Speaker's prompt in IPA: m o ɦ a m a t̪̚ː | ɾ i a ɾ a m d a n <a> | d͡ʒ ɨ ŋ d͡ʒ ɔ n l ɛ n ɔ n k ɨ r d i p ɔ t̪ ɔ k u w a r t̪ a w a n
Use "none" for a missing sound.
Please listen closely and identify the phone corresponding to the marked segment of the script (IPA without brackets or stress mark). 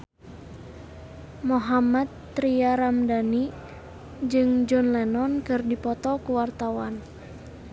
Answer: i